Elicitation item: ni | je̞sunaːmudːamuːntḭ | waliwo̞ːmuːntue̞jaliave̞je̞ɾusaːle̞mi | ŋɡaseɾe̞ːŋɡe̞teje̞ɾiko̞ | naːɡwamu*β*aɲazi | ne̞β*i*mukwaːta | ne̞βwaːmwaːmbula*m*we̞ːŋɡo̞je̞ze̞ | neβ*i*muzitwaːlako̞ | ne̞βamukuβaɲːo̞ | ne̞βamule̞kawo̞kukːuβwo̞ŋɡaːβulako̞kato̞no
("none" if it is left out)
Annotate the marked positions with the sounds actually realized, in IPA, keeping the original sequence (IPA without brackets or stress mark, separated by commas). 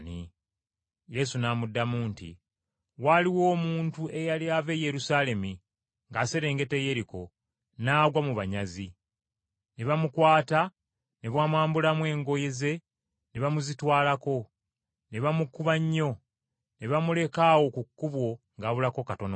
β, a, m, a